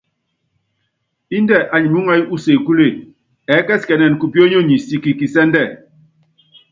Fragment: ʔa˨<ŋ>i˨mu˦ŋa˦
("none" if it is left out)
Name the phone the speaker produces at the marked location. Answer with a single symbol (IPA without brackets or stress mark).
ɲ